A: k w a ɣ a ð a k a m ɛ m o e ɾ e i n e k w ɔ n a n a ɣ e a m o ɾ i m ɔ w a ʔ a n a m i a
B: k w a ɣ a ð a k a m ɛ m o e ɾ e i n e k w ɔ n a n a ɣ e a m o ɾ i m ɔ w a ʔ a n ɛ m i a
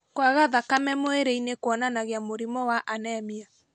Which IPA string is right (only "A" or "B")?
B